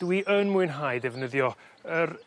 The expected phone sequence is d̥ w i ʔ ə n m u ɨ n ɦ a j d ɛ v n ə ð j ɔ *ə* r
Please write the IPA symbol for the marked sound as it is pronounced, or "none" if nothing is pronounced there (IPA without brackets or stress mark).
ə